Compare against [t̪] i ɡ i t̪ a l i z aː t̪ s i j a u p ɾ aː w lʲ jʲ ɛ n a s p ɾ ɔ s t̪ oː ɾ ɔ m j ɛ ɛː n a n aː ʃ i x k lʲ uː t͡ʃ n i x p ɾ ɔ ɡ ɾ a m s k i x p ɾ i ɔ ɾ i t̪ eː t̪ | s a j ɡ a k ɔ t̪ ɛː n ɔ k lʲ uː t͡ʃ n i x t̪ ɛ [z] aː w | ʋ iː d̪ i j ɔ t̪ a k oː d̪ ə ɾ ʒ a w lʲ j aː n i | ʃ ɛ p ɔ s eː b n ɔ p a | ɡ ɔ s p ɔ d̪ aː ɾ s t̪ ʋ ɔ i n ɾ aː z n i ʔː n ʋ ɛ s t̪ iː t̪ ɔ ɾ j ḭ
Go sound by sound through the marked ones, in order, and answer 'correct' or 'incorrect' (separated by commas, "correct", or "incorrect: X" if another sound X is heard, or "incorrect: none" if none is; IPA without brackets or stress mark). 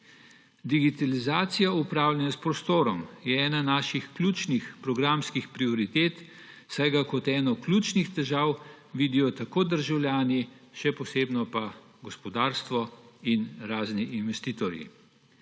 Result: incorrect: d̪, incorrect: ʒ